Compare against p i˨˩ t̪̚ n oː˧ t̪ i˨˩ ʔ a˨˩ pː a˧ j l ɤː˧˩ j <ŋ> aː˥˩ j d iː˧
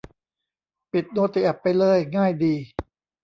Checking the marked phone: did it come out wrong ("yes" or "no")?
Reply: no